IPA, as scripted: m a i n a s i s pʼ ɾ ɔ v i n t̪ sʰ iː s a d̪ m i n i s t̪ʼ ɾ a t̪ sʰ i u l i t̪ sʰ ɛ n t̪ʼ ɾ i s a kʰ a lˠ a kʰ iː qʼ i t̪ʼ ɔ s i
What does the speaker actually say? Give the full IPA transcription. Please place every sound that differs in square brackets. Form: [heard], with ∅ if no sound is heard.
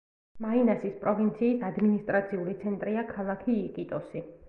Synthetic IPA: m a i n a s i s pʼ ɾ ɔ v i n t̪ sʰ iː s a d̪ m i n i s t̪ʼ ɾ a t̪ sʰ i u l i t̪ sʰ ɛ n t̪ʼ ɾ i [∅] a kʰ a lˠ a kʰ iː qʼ i t̪ʼ ɔ s i